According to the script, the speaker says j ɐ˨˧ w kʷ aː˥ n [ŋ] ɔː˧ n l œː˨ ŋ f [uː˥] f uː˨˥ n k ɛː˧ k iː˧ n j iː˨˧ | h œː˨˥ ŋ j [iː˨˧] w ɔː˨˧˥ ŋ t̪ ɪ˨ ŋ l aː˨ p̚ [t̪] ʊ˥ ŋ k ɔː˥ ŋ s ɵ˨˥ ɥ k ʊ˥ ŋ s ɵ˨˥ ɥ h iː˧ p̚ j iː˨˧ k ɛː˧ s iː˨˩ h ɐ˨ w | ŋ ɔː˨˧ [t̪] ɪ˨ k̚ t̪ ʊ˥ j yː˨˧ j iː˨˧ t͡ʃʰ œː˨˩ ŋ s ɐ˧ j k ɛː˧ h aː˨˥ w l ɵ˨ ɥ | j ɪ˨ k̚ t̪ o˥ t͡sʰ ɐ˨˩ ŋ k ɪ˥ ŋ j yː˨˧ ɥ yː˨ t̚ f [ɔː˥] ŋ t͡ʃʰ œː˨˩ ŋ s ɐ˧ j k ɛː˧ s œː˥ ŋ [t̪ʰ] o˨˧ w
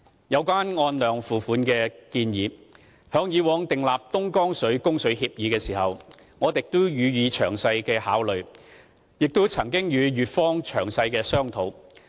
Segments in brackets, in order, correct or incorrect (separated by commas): correct, incorrect, correct, correct, correct, correct, correct